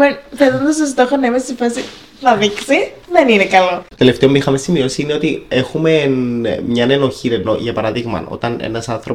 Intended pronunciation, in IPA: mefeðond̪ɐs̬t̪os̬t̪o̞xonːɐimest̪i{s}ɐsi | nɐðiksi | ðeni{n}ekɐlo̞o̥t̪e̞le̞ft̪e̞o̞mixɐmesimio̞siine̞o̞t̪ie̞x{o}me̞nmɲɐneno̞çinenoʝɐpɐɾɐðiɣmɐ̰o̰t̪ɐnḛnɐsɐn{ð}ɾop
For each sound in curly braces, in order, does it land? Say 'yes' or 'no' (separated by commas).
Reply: no, yes, no, no